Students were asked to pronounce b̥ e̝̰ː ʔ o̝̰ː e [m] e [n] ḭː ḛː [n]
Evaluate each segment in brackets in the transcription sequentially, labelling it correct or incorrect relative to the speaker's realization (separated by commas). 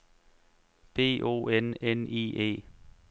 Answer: incorrect, correct, incorrect